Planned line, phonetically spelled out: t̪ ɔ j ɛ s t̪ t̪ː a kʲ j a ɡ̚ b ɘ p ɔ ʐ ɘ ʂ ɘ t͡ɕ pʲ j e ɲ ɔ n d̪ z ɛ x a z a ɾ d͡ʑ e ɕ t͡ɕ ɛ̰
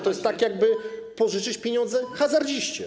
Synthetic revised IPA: t̪ ɔ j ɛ s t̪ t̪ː a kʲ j a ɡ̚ b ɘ p ɔ ʐ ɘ t͡ʂ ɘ t͡ɕ pʲ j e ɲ ɔ n d̪ z ɛ x a z a ɾ d͡ʑ i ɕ t͡ɕ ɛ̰